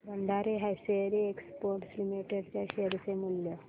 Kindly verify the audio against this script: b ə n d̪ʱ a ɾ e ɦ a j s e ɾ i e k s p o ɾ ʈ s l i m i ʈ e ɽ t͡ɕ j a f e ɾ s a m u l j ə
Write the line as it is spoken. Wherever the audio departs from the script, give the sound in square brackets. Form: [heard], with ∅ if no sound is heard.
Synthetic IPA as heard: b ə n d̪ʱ a ɾ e ɦ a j s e ɾ i e k s p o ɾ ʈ s l i m i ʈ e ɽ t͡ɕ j a [ɕ] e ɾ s [e] m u l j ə

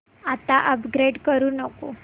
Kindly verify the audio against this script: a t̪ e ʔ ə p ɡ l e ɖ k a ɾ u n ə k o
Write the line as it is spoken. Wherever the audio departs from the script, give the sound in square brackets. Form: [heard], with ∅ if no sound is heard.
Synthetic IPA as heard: a t̪ [a] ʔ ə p ɡ [ɾ] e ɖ k [ə] ɾ u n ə k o

